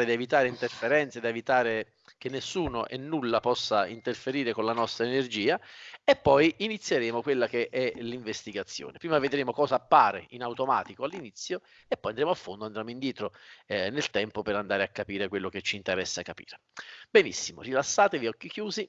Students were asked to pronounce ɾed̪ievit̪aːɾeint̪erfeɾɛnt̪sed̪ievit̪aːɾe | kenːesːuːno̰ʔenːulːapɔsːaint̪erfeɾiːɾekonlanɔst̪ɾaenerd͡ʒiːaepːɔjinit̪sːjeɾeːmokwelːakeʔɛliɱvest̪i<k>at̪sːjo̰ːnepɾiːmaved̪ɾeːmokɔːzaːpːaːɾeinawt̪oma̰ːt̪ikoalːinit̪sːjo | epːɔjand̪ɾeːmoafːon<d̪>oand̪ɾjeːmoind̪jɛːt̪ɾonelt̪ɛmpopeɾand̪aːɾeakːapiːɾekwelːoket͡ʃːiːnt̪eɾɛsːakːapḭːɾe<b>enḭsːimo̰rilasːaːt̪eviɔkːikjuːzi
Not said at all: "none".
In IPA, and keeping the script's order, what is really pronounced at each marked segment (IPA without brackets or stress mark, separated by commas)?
ɡ, d̪, b